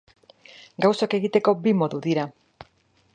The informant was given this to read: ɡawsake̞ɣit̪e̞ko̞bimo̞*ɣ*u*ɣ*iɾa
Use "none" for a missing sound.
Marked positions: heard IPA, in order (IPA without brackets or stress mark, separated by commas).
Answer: ð, ð